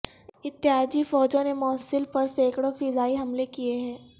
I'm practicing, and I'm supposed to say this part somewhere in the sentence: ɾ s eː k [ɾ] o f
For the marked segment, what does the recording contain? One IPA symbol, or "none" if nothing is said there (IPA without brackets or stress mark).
ɽ